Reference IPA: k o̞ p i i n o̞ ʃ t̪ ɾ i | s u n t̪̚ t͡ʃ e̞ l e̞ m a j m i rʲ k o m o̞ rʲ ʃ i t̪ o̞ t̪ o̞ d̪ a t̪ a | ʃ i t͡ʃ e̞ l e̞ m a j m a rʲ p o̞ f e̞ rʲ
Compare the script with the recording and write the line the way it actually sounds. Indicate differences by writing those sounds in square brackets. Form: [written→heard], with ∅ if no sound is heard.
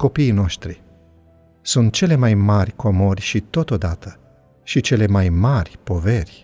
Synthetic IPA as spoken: k o̞ p i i n o̞ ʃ t̪ ɾ i | s u n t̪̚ t͡ʃ e̞ l e̞ m a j m [i→a] rʲ k o m o̞ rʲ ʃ i t̪ o̞ t̪ o̞ d̪ a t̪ [a→ə] | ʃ i t͡ʃ e̞ l e̞ m a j m a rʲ p o̞ [f→v] e̞ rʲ